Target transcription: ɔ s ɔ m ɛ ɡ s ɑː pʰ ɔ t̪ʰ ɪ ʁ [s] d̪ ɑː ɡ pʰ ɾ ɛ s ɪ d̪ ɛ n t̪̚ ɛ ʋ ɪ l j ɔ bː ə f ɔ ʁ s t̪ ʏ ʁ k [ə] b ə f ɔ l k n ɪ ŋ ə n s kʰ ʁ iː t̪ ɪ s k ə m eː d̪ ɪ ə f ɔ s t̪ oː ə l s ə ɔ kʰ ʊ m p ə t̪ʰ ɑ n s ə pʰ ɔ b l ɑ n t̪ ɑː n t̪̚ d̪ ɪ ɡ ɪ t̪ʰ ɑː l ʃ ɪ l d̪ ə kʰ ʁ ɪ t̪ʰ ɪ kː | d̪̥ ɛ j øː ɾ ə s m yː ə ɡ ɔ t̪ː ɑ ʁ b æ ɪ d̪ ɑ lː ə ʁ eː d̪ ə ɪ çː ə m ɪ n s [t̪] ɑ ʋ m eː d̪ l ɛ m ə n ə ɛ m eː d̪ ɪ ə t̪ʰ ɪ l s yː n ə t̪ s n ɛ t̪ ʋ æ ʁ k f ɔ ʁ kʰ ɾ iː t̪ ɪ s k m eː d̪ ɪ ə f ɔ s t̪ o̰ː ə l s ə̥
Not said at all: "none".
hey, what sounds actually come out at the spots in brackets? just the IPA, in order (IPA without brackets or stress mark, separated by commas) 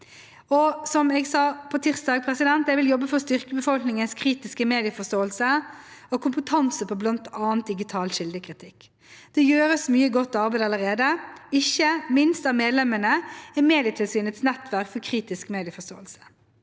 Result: s, ə, t̪